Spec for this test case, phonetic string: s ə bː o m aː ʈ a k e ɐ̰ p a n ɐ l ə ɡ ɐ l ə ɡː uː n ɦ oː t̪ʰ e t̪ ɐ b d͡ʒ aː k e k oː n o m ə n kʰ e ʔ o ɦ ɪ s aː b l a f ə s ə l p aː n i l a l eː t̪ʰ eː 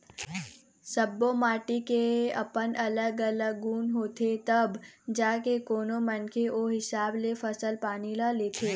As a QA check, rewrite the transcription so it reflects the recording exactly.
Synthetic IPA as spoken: s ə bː o m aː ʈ i k e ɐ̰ p ə n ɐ l ə ɡ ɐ l ə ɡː uː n ɦ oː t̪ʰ e t̪ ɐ b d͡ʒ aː k e k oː n o m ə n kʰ e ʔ o ɦ ɪ s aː b l e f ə s ə l p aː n i l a l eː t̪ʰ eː